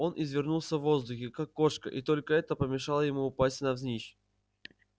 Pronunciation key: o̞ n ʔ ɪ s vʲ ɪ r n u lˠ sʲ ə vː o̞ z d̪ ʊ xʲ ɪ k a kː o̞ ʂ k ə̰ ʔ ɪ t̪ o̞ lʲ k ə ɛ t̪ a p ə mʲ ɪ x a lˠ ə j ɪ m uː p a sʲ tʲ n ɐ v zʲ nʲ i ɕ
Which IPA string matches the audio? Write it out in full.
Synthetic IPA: o̞ n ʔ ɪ z vʲ ɪ r n u lˠ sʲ ə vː o̞ z d̪ ʊ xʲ ɪ k a kː o̞ ʂ k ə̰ ʔ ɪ t̪ o̞ lʲ k ə ɛ t̪ ə p ə mʲ ɪ ʂ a lˠ ə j ɪ m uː p a sʲ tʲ n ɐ v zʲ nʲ i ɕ